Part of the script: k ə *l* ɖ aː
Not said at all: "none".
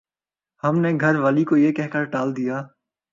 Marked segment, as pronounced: ɾ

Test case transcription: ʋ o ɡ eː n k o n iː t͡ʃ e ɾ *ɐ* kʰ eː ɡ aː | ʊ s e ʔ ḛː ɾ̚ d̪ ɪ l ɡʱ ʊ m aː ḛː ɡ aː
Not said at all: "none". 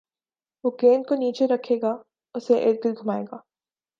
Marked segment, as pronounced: ɐ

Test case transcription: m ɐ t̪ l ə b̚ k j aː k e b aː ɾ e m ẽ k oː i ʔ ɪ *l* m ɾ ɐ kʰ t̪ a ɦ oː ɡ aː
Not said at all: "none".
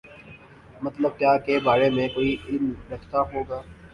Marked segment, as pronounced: l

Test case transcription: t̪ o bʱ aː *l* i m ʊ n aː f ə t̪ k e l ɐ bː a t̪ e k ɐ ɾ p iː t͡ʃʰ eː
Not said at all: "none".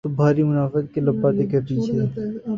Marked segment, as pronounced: ɾ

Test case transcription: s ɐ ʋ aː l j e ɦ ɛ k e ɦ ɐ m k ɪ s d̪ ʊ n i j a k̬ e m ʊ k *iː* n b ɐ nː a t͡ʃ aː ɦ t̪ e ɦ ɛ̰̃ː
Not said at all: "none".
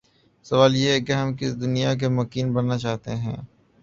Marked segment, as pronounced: iː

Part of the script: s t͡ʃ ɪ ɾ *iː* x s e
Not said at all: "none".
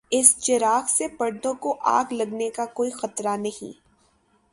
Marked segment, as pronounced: aː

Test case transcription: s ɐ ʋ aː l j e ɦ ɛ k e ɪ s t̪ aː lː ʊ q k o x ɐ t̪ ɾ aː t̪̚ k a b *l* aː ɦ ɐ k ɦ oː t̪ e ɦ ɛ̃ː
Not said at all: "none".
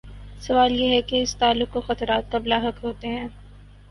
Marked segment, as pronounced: l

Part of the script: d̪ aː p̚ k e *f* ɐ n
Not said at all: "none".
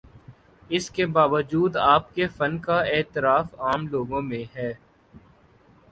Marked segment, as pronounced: f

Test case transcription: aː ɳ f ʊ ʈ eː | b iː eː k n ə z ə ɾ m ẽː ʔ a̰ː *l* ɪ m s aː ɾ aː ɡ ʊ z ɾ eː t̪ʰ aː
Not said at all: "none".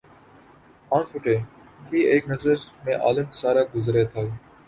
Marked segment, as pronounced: l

